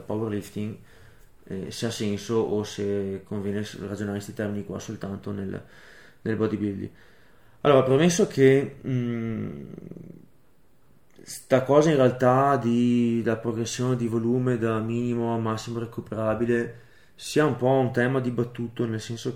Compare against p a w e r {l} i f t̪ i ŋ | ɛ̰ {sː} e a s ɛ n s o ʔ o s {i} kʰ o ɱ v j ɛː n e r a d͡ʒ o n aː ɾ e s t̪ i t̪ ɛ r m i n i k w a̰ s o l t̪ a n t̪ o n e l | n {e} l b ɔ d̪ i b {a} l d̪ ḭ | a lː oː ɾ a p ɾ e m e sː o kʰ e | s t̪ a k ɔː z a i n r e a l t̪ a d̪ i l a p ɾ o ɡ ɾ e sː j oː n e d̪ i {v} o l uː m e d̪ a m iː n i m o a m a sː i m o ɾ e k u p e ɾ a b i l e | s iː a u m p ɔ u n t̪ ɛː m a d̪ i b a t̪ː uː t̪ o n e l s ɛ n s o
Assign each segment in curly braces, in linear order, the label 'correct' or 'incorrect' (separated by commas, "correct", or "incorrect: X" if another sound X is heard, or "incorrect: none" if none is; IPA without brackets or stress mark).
correct, incorrect: s, incorrect: e, correct, incorrect: i, correct